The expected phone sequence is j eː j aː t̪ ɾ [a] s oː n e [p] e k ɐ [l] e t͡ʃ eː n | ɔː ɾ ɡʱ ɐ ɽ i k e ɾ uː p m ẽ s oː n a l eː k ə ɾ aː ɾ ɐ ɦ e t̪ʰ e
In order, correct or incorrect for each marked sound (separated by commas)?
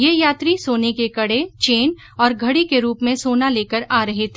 incorrect, incorrect, incorrect